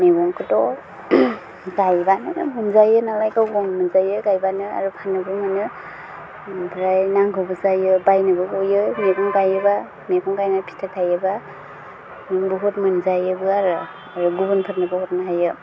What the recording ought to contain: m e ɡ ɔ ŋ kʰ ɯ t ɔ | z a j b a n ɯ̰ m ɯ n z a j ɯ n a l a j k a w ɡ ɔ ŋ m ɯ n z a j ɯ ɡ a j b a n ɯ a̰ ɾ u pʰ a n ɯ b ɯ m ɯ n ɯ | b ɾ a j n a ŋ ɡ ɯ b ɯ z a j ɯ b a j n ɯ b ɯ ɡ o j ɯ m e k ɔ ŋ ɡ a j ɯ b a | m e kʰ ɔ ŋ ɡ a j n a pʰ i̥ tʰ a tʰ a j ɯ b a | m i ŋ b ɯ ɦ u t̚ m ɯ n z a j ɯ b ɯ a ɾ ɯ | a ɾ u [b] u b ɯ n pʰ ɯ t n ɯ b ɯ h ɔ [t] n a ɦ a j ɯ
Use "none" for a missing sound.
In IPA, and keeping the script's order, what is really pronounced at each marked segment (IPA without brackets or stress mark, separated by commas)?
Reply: ɡ, t